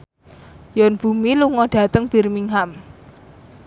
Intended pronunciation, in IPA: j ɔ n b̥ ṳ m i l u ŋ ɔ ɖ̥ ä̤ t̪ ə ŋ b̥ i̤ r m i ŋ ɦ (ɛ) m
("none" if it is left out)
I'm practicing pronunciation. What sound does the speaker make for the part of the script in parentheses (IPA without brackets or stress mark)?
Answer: a